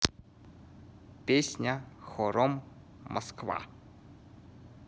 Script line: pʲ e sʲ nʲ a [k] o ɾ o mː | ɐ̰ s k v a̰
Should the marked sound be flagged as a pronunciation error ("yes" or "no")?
yes